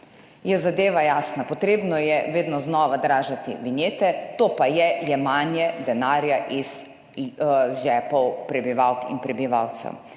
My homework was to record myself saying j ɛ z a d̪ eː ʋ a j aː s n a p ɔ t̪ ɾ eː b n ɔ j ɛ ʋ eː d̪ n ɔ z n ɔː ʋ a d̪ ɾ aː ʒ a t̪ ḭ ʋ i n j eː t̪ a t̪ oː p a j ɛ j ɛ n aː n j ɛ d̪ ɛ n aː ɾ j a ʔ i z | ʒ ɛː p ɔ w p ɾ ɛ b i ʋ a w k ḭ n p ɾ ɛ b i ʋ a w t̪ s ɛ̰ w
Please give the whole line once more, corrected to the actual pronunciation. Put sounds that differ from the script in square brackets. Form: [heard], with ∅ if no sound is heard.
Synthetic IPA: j ɛ z a d̪ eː ʋ a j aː s n a p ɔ t̪ ɾ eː b n ɔ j ɛ ʋ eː d̪ n ɔ z n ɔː ʋ a d̪ ɾ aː ʒ a t̪ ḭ ʋ i n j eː t̪ [ɛ] t̪ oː p a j ɛ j ɛ [m] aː n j ɛ d̪ ɛ n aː ɾ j a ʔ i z | ʒ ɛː p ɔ w p ɾ ɛ b i ʋ a w k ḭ n p ɾ ɛ b i ʋ a w t̪ s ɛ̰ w

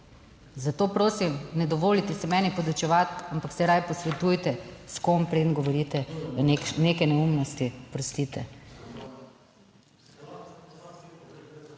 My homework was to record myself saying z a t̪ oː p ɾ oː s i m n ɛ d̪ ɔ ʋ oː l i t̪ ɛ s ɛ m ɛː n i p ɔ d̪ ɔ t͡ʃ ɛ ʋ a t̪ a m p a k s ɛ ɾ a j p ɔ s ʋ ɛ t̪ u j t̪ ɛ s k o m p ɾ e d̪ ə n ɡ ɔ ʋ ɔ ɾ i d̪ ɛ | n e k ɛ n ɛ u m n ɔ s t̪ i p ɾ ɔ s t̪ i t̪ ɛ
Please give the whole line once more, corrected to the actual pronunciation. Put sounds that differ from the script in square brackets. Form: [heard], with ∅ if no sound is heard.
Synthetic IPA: z a t̪ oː p ɾ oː s i m n ɛ d̪ ɔ ʋ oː l i t̪ ɛ s ɛ m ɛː n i p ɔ d̪ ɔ t͡ʃ ɛ ʋ a t̪ a m p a k s ɛ ɾ a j p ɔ s ʋ ɛ t̪ u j t̪ ɛ s k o m p ɾ e d̪ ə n ɡ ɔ ʋ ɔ ɾ i [t̪] ɛ | n e k ɛ n ɛ u m n ɔ s t̪ i p ɾ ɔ s t̪ i t̪ ɛ

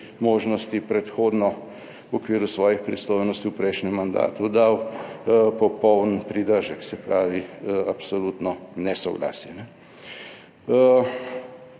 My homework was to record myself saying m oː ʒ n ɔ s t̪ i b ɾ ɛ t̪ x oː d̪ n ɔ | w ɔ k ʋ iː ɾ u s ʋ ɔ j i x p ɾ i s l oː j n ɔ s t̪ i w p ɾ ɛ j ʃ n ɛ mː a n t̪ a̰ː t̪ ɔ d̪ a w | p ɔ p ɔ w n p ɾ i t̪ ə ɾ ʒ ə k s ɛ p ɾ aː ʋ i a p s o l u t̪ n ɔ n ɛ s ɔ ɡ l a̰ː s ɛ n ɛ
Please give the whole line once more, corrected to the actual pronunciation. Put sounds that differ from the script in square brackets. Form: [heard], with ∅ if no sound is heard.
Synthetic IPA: m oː ʒ n ɔ s t̪ i [p] ɾ ɛ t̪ x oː d̪ n ɔ | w ɔ k ʋ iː ɾ u s ʋ [ɔː] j i x p ɾ i s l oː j n ɔ s t̪ i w p ɾ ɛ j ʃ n ɛ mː a n [d̪] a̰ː t̪ [u] d̪ a w | p ɔ p ɔ w n p ɾ i [d̪] ə ɾ ʒ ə k s ɛ p ɾ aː ʋ i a p s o l u t̪ n ɔ n ɛ s ɔ ɡ l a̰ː s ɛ n ɛ

